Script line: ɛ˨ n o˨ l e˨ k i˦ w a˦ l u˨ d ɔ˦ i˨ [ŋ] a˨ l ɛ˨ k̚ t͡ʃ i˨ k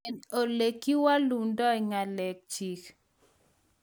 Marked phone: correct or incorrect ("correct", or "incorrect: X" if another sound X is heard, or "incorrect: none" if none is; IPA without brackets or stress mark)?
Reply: correct